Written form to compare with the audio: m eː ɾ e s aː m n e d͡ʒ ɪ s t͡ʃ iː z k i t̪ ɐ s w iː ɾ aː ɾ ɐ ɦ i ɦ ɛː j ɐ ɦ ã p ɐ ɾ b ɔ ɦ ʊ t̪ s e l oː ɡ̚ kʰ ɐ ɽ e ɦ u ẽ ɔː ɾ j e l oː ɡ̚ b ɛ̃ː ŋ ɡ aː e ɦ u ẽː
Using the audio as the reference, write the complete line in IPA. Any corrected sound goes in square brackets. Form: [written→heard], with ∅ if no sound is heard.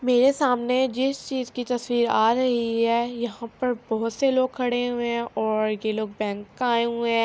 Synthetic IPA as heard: m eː ɾ e s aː m n e d͡ʒ ɪ s t͡ʃ iː z k i t̪ ɐ s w iː ɾ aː ɾ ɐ ɦ i ɦ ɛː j ɐ ɦ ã p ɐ ɾ b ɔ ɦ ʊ t̪ s e l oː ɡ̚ kʰ ɐ ɽ e ɦ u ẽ ɔː ɾ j e l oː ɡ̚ b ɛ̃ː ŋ [ɡ→k] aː e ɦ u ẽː